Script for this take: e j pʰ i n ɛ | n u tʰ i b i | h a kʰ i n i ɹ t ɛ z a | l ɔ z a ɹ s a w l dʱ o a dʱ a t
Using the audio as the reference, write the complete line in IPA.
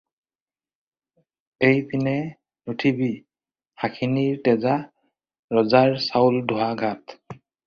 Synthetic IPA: e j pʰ i n ɛ | n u tʰ i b i | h a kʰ i n i ɹ t ɛ z a | ɹ ɔ z a ɹ s a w l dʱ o a ɡʱ a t

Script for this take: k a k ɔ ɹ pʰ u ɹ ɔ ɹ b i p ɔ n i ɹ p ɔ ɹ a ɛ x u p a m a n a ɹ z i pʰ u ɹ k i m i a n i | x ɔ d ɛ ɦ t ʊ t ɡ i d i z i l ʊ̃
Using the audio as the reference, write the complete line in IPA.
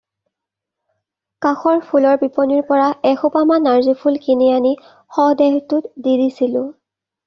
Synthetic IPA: k a x ɔ ɹ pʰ u l ɔ ɹ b i p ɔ n i ɹ p ɔ ɹ a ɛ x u p a m a n a ɹ z i pʰ u l k i n i a n i | x ɔ d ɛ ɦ t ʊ t d i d i s i l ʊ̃

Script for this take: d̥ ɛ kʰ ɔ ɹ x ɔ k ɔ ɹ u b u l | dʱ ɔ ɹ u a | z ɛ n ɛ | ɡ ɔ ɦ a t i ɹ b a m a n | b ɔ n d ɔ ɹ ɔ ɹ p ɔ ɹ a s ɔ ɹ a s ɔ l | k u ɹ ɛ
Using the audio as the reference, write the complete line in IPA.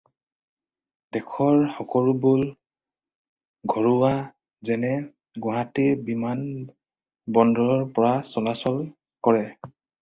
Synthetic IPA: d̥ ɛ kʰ ɔ ɹ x ɔ k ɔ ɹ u b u l | ɡʱ ɔ ɹ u a | z ɛ n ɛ | ɡ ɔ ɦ a t i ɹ b i m a n | b ɔ n d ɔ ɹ ɔ ɹ p ɔ ɹ a s ɔ l a s ɔ l | k ɔ ɹ ɛ

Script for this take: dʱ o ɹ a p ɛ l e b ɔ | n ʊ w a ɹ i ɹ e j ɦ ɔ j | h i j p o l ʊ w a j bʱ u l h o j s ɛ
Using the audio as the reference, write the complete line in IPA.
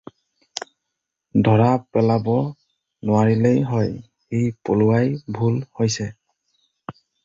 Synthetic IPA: dʱ ɔ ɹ a p ɛ l a b ɔ | n ʊ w a ɹ i l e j ɦ ɔ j | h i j p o l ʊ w a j bʱ u l h o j s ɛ

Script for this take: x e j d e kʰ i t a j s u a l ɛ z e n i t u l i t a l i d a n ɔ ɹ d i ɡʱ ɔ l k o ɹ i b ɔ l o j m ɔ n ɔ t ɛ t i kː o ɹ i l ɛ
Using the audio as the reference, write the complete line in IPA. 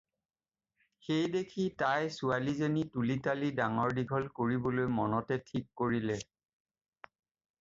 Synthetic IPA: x e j d e kʰ i t a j s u a l i z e n i t u l i t a l i d a ŋ ɔ ɹ d i ɡʱ ɔ l k o ɹ i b ɔ l o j m ɔ n ɔ t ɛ tʰ i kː o ɹ i l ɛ

